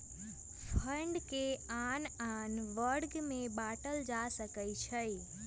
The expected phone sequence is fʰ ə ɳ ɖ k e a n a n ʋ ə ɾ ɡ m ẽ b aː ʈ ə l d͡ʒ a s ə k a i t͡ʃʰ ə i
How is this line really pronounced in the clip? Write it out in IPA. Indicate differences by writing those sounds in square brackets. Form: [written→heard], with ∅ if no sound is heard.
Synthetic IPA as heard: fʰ ə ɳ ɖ k e a n a n ʋ ə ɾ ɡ m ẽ b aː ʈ ə l d͡ʒ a s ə k [a→ə] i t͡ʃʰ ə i